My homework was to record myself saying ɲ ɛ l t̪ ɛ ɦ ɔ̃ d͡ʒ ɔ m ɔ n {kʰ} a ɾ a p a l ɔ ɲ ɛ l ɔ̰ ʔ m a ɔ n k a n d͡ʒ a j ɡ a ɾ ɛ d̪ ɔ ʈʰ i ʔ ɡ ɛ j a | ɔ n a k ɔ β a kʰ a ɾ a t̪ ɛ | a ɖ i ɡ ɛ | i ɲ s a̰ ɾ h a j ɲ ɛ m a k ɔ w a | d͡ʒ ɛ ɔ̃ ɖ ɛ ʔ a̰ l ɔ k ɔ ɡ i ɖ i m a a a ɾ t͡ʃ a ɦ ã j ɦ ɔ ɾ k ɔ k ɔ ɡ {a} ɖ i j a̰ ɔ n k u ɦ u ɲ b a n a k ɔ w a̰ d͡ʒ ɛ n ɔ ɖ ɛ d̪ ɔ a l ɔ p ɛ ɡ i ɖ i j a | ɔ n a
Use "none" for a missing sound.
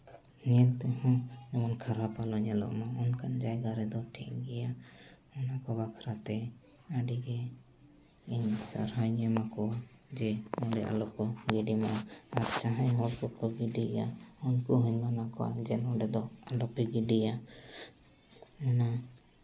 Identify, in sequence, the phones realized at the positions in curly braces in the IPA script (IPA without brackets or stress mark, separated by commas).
kʰ, i